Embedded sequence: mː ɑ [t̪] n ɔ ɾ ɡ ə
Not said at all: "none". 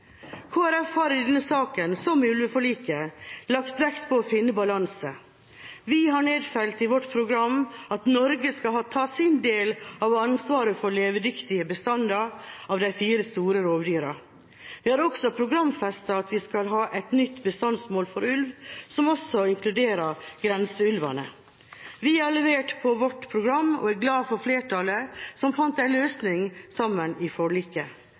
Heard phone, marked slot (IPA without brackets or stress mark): t̪